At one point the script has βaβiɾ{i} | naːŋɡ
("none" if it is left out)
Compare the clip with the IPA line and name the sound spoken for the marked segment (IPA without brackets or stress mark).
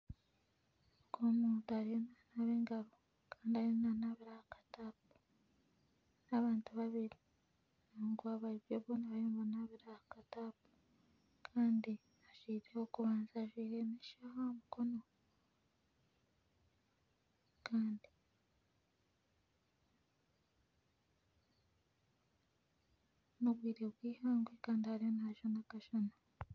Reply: i